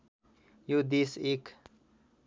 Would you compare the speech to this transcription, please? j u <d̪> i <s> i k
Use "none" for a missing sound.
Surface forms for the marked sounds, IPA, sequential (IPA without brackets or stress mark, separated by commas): d̪, s